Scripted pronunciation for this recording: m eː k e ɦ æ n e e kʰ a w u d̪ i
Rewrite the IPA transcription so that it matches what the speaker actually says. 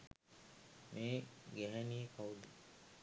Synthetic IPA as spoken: m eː ɡ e ɦ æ n i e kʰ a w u d̪ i

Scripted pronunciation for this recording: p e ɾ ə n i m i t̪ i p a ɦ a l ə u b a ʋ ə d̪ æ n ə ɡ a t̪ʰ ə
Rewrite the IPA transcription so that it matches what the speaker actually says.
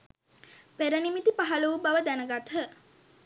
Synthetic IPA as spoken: p e ɾ ə n i m i t̪ i p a ɦ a l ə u b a ʋ ə d̪ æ n ə ɡ a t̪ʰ ə

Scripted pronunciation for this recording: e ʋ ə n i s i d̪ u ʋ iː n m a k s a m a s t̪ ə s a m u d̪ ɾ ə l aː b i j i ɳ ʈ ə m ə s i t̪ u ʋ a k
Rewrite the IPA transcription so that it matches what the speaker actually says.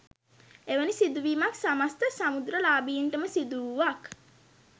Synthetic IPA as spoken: e ʋ ə n i s i d̪ u ʋ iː m a k s a m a s t̪ ə s a m u d̪ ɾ ə l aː b i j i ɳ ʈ ə m ə s i d̪ u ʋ a k

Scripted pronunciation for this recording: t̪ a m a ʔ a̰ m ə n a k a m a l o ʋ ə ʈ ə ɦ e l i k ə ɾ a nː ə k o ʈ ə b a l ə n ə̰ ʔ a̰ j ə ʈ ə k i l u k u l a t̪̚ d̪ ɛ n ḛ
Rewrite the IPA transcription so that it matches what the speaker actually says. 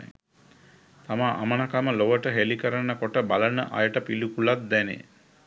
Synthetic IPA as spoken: t̪ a m a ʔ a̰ m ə n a k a m ə l o ʋ ə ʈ ə ɦ e l i k ə ɾ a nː ə k o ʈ ə b a l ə n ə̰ ʔ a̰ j ə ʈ ə p i l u k u l a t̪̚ d̪ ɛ n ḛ

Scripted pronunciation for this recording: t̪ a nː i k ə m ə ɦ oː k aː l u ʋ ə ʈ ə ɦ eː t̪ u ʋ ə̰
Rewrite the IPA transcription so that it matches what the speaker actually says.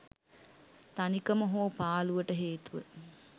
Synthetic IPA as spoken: t̪ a n i k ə m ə ɦ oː p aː l u ʋ ə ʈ ə ɦ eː t̪ u ʋ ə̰

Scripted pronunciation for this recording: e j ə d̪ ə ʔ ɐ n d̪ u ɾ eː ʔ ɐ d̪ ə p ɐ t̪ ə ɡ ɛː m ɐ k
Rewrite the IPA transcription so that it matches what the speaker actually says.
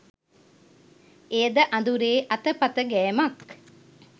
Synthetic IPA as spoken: e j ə d̪ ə ʔ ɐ n d̪ u ɾ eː ʔ ɐ t̪ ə p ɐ t̪ ə ɡ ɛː m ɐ k

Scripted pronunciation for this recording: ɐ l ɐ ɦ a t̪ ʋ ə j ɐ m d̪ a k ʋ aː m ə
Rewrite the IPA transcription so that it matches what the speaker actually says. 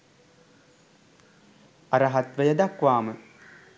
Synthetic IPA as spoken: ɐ ɾ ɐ ɦ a t̪ ʋ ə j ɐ d̪ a k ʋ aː m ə

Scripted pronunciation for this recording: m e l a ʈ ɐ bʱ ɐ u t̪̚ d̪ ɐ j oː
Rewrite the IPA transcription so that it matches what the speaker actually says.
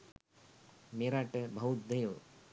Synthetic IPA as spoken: m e ɾ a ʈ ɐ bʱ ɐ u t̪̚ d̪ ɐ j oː

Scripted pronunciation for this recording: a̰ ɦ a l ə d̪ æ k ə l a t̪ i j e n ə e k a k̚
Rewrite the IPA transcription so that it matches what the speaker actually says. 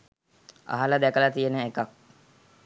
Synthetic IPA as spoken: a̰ ɦ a l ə d̪ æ k ə l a t̪ i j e n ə e k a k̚

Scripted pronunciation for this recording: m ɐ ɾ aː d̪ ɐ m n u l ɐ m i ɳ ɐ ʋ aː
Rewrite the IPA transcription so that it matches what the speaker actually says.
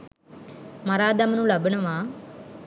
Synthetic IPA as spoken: m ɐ ɾ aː d̪ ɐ m n u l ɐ b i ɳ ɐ ʋ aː

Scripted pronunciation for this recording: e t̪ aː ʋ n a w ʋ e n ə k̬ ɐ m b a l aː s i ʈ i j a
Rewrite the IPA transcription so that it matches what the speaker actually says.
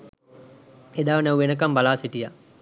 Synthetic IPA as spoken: e d̪ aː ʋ n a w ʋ e n ə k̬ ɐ m b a l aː s i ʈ i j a

